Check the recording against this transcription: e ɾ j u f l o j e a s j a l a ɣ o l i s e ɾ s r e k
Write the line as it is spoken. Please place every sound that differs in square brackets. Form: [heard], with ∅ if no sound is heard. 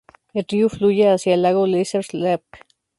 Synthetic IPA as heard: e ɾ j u f l [u] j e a s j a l a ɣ o l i s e ɾ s [l] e [p]